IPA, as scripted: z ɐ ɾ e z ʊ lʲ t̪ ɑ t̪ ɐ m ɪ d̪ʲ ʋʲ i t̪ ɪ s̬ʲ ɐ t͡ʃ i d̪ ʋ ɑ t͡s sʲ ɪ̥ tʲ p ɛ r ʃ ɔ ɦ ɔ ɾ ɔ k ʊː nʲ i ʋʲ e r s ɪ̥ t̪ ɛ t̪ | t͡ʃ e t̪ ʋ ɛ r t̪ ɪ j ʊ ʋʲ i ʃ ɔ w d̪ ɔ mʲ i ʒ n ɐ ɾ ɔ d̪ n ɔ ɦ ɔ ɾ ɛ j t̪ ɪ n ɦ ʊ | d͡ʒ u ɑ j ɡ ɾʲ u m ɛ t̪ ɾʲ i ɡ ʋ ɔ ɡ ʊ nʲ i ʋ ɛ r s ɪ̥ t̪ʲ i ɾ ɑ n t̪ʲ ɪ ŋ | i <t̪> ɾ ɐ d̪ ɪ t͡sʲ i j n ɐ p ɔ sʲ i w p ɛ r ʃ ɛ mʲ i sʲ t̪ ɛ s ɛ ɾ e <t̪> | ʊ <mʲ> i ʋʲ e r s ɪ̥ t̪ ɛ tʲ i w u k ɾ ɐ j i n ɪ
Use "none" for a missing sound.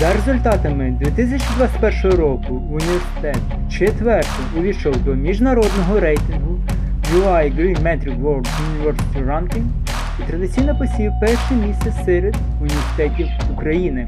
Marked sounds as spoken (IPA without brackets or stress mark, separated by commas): t̪, d̪, nʲ